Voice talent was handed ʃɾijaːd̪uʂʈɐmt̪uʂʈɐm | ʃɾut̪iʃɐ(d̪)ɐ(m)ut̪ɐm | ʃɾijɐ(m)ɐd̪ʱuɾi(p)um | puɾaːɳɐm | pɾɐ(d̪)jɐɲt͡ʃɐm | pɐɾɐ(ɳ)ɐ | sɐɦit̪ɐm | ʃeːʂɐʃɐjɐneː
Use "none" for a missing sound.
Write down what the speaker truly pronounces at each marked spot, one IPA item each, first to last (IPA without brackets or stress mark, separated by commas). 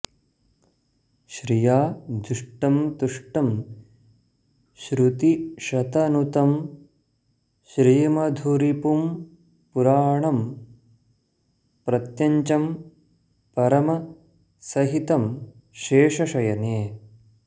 t̪, n, m, p, t̪, m